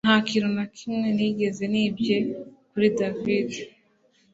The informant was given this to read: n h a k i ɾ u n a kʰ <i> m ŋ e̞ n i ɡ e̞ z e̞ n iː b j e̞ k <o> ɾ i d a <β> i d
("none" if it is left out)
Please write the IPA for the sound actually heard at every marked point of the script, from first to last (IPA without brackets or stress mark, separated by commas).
i, u, v